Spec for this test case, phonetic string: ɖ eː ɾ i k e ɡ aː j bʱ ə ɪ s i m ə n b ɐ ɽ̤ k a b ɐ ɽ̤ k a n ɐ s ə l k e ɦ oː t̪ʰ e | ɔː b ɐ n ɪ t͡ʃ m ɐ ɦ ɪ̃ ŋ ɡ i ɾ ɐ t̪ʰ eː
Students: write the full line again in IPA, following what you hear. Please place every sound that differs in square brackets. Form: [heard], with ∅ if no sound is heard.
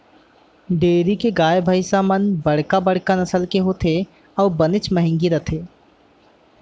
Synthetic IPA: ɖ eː ɾ i k e ɡ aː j bʱ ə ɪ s [a] m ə n b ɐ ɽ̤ k a b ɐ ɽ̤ k a n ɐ s ə l k e ɦ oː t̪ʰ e | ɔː b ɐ n ɪ t͡ʃ m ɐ ɦ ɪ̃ ŋ ɡ i ɾ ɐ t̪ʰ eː